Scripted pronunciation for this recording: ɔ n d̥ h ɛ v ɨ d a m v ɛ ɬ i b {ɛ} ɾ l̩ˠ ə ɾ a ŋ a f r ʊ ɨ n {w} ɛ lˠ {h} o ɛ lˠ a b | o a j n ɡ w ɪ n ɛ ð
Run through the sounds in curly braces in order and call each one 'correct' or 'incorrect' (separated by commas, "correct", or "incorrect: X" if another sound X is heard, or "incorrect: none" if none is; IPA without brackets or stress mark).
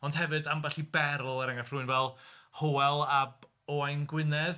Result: correct, incorrect: v, correct